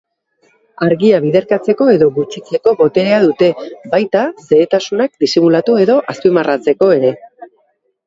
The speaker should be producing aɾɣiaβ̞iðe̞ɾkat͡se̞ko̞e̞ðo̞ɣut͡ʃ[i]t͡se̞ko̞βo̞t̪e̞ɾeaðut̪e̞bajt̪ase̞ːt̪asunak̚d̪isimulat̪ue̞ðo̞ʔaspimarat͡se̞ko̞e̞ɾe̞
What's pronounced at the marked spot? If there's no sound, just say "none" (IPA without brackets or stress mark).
i